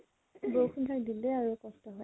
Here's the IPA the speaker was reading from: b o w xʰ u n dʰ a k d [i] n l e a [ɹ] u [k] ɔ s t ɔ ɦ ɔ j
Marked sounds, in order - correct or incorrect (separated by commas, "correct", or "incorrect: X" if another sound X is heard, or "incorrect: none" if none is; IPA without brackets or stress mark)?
correct, correct, correct